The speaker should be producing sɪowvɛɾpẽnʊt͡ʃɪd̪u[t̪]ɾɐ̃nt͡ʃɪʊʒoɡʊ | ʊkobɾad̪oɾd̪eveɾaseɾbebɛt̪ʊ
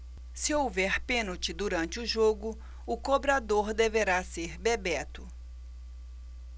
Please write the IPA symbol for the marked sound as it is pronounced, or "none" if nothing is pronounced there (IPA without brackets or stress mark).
none